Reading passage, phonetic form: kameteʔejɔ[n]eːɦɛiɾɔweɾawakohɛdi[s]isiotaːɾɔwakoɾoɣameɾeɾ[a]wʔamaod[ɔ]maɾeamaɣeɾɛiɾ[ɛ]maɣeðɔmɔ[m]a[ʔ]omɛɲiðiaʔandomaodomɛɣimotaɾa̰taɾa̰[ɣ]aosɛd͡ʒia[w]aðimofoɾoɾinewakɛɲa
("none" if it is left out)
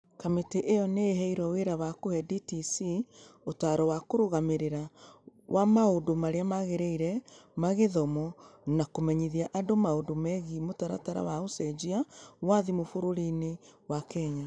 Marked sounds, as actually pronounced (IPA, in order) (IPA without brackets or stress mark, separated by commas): n, t, a, o, ɛ, n, k, w, w